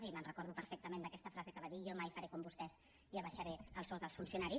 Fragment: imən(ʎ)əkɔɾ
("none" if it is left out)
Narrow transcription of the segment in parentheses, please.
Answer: r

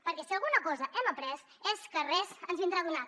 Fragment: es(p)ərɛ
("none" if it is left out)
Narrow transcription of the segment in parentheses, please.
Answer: k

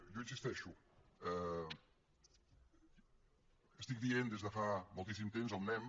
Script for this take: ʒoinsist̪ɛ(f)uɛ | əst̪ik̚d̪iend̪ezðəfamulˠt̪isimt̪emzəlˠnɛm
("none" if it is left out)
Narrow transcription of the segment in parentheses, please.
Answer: ʃ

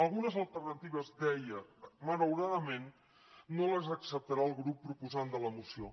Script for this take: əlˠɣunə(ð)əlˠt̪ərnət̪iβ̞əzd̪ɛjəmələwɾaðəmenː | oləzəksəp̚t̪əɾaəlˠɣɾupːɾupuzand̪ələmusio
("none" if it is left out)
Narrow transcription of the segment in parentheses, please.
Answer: z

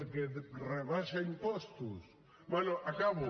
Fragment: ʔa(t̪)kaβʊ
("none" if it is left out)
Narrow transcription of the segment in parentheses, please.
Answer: none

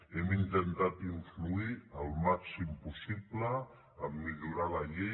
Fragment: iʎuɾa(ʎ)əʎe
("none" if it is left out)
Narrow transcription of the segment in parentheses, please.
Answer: l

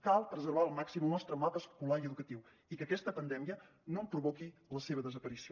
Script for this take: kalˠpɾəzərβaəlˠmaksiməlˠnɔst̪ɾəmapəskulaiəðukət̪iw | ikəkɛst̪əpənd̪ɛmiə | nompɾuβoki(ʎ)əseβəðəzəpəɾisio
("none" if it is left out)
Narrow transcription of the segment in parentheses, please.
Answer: l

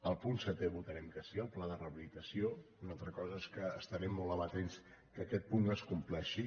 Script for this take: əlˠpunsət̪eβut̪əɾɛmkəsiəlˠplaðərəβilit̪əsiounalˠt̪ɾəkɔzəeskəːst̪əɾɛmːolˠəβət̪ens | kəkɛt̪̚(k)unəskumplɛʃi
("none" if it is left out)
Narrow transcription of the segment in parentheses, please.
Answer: p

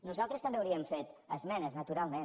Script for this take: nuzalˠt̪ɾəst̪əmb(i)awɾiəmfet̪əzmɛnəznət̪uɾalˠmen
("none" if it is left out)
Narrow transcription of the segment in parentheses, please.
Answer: e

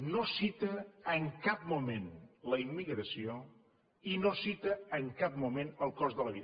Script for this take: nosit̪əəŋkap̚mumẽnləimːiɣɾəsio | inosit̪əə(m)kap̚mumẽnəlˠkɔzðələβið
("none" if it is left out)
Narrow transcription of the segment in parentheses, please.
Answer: ŋ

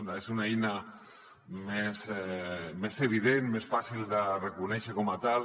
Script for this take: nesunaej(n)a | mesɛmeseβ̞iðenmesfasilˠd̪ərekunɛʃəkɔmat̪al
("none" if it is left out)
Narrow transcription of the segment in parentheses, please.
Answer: n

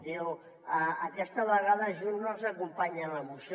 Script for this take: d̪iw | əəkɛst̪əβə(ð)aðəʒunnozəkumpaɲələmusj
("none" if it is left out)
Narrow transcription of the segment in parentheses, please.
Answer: ɣ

